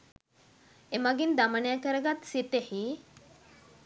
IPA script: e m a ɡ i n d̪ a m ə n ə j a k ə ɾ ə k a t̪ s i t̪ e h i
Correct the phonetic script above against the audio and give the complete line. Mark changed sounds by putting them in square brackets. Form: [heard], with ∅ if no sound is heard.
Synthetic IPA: e m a ɡ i n d̪ a m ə n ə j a k ə ɾ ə [ɡ] a t̪ s i t̪ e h i